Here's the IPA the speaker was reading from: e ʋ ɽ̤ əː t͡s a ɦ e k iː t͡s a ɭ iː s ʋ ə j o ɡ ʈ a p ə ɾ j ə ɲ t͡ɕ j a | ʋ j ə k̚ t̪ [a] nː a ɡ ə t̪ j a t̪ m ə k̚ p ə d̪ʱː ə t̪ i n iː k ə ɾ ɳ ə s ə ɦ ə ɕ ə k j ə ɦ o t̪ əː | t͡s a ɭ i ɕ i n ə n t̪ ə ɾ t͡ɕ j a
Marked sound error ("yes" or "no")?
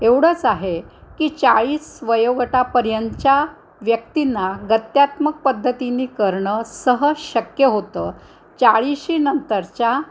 yes